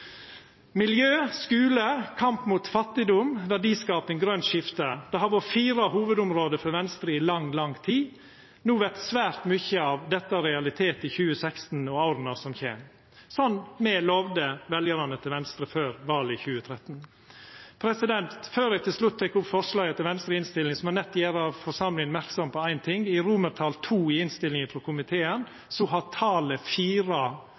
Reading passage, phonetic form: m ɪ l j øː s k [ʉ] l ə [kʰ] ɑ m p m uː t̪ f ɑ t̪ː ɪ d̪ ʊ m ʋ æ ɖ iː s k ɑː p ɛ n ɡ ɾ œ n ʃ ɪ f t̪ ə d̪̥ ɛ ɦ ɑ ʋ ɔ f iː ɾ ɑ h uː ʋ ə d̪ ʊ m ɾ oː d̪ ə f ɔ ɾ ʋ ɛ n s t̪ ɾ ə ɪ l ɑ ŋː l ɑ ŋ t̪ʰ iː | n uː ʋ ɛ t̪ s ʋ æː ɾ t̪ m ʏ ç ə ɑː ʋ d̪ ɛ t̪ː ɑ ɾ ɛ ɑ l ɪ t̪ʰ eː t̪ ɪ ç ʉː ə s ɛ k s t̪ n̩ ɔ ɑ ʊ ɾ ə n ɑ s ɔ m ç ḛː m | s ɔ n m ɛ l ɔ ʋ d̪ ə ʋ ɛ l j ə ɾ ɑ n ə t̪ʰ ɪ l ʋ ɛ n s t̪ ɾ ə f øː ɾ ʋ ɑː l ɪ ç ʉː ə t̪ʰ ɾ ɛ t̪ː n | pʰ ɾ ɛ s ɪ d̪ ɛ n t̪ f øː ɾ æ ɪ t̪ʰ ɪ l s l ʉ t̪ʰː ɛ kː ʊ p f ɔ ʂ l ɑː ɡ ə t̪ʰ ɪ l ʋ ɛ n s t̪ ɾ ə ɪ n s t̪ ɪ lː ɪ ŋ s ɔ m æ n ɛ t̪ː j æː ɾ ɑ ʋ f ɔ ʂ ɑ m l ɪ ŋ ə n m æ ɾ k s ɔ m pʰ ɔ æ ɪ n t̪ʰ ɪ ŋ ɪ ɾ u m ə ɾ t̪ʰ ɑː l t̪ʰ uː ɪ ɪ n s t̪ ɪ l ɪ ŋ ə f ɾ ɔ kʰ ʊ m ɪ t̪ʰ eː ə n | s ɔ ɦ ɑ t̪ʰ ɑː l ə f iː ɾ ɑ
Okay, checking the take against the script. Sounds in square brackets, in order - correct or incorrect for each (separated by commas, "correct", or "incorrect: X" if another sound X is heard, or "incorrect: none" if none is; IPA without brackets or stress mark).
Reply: incorrect: ʉː, correct